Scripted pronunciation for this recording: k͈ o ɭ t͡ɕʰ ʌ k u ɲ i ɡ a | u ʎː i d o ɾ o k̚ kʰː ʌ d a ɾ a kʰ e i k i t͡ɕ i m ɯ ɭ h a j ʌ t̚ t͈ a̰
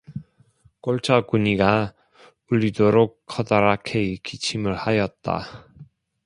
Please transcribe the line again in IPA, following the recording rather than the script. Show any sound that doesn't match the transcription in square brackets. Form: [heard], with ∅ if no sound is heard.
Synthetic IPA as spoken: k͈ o ɭ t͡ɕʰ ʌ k u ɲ i ɡ a | u ʎː i d o ɾ o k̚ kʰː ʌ d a ɾ a kʰ e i k i [t͡ɕʰ] i m ɯ ɭ h a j ʌ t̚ t͈ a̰